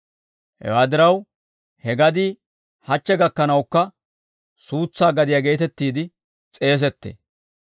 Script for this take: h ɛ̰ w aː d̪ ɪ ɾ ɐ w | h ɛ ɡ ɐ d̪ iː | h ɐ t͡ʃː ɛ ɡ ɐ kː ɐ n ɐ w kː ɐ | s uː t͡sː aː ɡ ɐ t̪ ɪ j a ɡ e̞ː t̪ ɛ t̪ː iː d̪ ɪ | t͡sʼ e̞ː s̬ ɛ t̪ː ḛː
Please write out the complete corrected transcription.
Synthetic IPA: h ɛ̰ w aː d̪ ɪ ɾ ɐ w | h ɛ ɡ ɐ d̪ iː | h ɐ t͡ʃː ɛ ɡ ɐ kː ɐ n ɐ w kː ɐ | s uː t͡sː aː ɡ ɐ d̪ ɪ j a ɡ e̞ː t̪ ɛ t̪ː iː d̪ ɪ | t͡sʼ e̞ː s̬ ɛ t̪ː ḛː